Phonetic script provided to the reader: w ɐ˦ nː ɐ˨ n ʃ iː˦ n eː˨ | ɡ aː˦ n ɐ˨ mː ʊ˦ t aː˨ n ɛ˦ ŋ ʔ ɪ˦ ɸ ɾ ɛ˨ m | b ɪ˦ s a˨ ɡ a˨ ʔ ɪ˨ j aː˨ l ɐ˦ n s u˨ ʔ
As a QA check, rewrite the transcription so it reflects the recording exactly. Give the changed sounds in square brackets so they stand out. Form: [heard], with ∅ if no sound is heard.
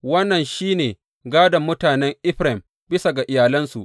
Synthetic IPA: w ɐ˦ nː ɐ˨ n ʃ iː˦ n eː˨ | ɡ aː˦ [d] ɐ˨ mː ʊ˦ t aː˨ n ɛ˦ ŋ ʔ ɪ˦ ɸ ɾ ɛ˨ m | b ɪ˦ s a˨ ɡ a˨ ʔ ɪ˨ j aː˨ l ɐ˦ n s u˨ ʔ